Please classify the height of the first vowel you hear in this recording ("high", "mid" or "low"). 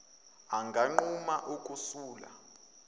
low